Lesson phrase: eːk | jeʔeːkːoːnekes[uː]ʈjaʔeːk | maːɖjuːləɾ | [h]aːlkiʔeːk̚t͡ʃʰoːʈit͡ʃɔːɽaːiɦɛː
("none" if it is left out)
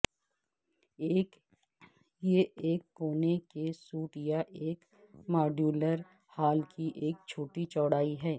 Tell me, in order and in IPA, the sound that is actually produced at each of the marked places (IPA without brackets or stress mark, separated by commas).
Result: uː, h